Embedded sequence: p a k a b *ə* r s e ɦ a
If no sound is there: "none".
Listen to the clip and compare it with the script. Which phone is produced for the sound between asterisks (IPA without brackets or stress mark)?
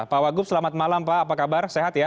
a